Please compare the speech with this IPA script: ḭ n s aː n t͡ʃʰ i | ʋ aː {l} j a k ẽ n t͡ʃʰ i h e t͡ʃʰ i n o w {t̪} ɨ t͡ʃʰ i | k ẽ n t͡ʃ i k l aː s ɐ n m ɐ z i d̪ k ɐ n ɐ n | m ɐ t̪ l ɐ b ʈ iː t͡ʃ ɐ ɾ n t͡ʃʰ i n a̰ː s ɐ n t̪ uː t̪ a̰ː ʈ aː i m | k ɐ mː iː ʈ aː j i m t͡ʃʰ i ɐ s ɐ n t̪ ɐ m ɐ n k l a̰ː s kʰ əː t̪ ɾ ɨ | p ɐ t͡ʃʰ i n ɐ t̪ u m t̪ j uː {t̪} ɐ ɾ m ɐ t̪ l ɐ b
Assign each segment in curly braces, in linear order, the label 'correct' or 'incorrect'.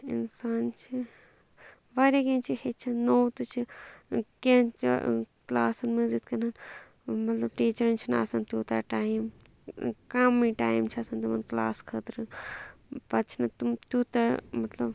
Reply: incorrect: ɾ, correct, correct

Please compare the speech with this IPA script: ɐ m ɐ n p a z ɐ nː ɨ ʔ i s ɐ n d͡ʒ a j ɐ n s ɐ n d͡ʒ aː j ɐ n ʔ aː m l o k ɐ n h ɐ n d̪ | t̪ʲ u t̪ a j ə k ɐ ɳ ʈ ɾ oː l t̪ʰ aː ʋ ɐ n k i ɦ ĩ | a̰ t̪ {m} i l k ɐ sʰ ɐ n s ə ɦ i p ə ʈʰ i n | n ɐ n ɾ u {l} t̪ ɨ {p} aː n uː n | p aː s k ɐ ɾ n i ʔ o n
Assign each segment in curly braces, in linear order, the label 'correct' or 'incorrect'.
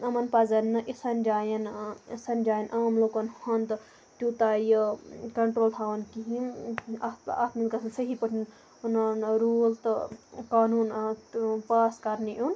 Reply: correct, correct, incorrect: k

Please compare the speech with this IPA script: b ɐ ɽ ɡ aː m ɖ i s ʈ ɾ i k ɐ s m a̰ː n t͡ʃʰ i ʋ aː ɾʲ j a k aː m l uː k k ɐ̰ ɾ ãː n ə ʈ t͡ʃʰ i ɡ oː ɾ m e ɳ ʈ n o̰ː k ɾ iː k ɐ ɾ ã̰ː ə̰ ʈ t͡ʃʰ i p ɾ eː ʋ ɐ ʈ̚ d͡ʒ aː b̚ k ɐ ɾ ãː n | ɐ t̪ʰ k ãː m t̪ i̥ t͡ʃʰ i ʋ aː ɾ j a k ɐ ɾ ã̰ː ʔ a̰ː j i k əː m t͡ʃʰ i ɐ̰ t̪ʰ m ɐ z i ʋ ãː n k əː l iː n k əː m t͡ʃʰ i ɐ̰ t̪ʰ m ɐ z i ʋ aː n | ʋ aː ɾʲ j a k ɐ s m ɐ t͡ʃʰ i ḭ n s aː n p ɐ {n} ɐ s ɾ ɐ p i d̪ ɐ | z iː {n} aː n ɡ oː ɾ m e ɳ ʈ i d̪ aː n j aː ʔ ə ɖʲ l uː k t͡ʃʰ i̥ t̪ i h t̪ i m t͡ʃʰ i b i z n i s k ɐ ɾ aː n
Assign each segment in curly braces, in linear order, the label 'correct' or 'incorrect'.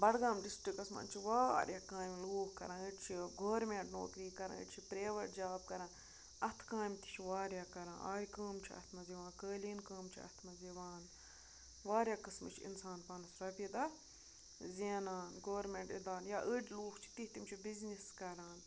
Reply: correct, correct

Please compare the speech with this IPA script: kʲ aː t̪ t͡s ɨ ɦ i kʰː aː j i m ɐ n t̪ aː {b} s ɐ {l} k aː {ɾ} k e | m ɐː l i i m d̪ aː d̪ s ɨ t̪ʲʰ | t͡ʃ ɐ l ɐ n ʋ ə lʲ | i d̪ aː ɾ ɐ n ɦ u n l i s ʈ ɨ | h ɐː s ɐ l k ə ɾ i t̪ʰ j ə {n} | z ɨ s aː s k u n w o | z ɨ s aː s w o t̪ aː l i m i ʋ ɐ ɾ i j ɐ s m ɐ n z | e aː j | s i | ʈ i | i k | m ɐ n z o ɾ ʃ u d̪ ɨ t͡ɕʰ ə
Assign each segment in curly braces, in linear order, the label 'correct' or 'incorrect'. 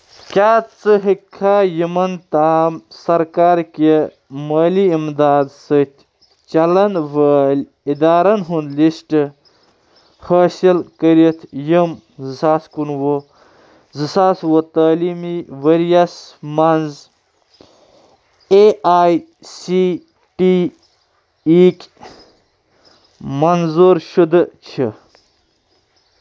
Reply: incorrect: m, incorrect: ɾ, correct, incorrect: m

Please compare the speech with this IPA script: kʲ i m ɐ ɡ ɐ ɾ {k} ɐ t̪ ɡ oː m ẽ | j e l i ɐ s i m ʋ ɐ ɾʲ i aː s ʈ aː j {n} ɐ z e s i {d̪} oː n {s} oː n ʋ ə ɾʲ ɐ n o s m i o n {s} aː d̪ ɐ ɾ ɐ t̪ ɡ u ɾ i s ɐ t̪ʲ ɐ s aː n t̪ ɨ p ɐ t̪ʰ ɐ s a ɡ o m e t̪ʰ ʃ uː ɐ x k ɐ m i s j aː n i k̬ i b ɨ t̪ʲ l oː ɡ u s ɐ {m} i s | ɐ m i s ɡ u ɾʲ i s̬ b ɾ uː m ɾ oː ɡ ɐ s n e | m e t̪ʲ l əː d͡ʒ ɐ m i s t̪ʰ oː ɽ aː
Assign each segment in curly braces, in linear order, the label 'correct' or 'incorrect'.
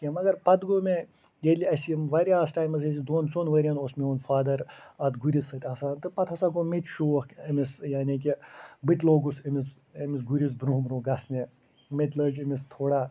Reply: incorrect: p, incorrect: m, correct, correct, incorrect: f, correct

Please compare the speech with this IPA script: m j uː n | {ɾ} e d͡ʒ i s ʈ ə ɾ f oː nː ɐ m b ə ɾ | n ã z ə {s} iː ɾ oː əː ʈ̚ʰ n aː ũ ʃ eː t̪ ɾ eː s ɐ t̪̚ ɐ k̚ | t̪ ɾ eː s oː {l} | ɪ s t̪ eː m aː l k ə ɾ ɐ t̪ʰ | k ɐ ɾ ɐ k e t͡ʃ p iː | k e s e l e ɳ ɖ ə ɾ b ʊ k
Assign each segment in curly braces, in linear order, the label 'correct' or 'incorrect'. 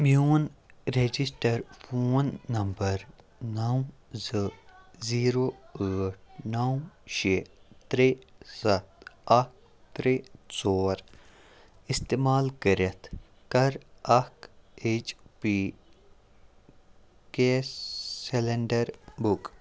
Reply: correct, incorrect: z, incorrect: ɾ

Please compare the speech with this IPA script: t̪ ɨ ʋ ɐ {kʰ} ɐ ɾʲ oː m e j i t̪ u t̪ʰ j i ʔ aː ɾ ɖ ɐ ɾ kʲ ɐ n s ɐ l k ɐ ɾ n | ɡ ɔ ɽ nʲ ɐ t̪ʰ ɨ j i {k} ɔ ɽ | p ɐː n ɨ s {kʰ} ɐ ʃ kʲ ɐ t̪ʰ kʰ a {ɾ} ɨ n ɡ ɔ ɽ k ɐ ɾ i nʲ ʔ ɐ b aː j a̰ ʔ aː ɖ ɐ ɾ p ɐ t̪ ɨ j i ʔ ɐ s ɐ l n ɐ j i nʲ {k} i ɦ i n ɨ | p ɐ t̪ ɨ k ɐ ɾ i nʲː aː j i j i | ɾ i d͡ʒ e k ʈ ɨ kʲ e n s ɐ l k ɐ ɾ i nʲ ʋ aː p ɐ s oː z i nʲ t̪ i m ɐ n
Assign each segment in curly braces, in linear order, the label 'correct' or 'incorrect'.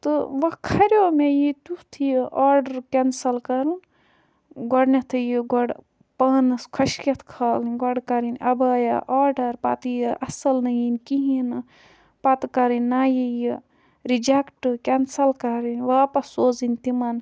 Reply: correct, incorrect: ɡ, correct, incorrect: l, correct

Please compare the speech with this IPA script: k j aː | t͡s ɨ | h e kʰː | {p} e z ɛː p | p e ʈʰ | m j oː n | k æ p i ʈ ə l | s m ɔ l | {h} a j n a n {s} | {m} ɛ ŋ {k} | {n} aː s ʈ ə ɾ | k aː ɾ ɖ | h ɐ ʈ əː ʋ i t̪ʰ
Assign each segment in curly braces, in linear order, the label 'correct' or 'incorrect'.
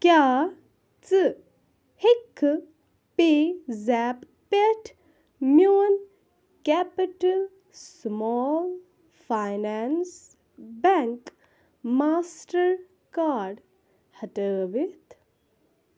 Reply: correct, incorrect: f, correct, incorrect: b, correct, incorrect: m

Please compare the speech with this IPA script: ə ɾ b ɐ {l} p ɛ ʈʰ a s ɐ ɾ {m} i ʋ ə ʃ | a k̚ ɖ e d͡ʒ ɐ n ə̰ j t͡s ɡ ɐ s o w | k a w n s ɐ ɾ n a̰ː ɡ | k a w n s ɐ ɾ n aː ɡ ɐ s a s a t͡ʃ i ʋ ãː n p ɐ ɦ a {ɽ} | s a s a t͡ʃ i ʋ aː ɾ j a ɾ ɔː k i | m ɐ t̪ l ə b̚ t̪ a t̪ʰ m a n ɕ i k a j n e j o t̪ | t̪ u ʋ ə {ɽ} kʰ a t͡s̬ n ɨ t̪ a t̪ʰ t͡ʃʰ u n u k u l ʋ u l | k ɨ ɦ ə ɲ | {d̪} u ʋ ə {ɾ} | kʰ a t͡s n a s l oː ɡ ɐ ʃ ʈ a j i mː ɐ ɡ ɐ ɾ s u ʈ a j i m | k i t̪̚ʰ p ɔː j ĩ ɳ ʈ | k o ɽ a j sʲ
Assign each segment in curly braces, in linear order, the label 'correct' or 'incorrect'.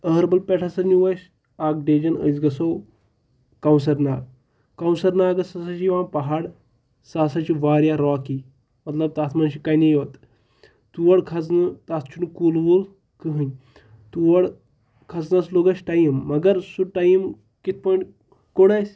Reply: correct, incorrect: n, correct, correct, incorrect: t̪, incorrect: ɽ

